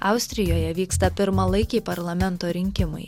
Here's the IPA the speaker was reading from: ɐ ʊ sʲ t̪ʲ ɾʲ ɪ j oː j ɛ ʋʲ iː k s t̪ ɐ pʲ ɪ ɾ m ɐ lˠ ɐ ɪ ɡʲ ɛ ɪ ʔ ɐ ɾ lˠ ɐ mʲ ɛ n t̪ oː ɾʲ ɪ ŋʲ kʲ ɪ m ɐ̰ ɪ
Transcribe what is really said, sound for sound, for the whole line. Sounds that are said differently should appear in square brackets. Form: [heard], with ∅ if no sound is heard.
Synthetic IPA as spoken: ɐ ʊ sʲ t̪ʲ ɾʲ ɪ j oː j ɛ ʋʲ iː k s t̪ ɐ pʲ ɪ ɾ m ɐ lˠ ɐ ɪ [kʲ] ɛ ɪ [p] ɐ ɾ lˠ ɐ mʲ ɛ n t̪ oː ɾʲ ɪ ŋʲ kʲ ɪ m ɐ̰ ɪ